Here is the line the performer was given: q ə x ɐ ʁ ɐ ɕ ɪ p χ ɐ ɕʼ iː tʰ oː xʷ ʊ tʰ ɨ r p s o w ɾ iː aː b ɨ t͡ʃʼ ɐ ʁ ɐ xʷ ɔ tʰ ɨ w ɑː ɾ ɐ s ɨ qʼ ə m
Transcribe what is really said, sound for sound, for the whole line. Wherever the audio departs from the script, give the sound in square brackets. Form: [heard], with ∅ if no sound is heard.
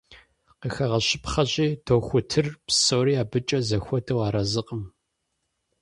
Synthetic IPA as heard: q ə x ɐ ʁ ɐ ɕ ɪ p χ ɐ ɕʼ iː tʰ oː xʷ ʊ tʰ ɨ r p s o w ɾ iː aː b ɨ t͡ʃʼ ɐ [z] ɐ xʷ ɔ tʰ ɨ w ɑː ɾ ɐ [z] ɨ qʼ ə m